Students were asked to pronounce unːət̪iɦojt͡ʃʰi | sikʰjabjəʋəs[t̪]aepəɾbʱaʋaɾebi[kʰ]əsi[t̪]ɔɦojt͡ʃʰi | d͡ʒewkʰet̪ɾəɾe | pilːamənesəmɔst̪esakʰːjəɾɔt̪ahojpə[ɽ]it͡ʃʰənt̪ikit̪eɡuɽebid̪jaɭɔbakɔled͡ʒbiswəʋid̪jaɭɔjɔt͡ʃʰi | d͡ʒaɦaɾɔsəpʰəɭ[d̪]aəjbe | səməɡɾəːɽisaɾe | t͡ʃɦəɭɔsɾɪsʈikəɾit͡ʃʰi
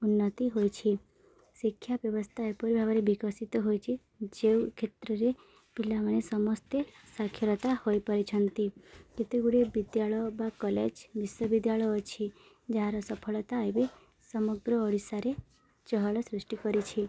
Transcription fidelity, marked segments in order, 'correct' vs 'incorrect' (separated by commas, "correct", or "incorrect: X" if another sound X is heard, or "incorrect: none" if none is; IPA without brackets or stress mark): incorrect: t̪ʰ, incorrect: k, correct, incorrect: ɾ, incorrect: t̪